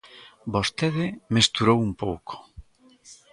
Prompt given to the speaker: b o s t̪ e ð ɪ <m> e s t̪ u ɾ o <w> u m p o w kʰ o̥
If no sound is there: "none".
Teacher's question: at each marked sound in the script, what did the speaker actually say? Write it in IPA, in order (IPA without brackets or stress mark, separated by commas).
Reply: m, w